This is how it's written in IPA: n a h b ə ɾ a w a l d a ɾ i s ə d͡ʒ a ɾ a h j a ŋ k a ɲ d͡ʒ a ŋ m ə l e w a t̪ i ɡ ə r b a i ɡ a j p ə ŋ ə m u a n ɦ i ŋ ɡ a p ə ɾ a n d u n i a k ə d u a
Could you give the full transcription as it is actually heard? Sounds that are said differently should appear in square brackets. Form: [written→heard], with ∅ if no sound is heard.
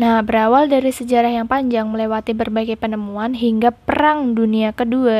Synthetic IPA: n a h b ə ɾ a w a l d a ɾ i s ə d͡ʒ a ɾ a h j a ŋ [k→p] a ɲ d͡ʒ a ŋ m ə l e w a t̪ i [ɡ→b] ə r b a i ɡ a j p ə [ŋ→n] ə m u a n ɦ i ŋ ɡ a p ə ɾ a [n→ŋ] d u n i a k ə d u a